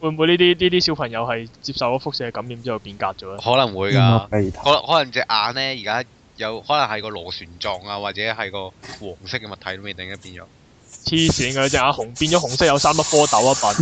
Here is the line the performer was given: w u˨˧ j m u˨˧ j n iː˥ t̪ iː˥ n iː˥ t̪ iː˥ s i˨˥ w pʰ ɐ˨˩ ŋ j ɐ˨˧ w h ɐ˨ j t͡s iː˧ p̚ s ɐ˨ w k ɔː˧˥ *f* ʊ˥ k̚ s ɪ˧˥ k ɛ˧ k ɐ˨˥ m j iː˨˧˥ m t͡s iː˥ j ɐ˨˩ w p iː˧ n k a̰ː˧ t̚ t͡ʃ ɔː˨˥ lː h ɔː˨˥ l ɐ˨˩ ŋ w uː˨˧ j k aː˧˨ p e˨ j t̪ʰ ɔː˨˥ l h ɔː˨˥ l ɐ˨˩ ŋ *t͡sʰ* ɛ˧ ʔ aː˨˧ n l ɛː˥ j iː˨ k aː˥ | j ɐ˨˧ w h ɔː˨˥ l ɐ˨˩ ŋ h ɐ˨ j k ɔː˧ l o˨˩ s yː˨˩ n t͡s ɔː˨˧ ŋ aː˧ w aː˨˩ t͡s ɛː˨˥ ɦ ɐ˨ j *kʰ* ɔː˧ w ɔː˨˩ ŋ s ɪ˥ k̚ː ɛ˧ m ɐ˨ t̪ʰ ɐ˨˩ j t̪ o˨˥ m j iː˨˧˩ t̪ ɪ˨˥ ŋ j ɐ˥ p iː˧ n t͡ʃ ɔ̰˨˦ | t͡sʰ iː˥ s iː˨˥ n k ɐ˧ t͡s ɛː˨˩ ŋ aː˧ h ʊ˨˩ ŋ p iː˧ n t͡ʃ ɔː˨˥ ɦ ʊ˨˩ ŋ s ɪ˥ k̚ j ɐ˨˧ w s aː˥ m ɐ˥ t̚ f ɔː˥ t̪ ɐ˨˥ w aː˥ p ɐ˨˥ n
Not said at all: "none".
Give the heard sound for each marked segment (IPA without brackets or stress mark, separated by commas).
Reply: f, t͡s, k